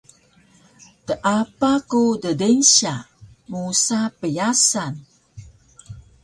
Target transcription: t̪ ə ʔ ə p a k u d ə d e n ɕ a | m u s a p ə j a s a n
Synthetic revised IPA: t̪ ə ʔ a p a k u d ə d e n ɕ a | m u s a p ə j a s a n